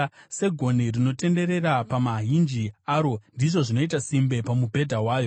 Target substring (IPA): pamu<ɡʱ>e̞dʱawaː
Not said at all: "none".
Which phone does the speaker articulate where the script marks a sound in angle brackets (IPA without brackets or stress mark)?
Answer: bʱ